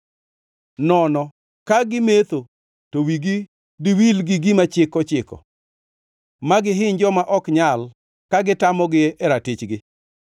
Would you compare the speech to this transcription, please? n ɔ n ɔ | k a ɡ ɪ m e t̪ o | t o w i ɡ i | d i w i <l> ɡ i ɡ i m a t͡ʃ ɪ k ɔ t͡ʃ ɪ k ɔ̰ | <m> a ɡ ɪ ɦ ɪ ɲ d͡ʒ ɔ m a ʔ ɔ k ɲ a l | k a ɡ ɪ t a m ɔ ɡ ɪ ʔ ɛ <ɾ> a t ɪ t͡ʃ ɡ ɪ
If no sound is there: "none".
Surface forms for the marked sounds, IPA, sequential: l, m, ɾ

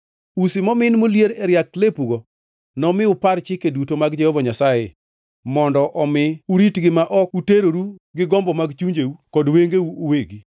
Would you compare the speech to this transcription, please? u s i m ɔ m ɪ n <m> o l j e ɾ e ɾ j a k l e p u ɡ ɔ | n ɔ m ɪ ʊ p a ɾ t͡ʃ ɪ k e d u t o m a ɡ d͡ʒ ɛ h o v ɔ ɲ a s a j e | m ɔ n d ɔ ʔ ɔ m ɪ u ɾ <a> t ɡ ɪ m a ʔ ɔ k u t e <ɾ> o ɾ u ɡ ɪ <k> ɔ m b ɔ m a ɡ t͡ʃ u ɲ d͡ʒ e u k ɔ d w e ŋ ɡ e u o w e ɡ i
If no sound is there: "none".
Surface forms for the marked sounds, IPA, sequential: m, i, ɾ, ɡ

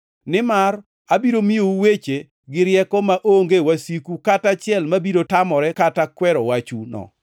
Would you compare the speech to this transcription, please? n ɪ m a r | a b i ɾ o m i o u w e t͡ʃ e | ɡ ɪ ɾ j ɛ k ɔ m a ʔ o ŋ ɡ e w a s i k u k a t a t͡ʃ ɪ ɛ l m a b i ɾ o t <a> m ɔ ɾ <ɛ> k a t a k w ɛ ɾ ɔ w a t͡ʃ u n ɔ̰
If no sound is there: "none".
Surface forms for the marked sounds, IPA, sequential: a, ɛ

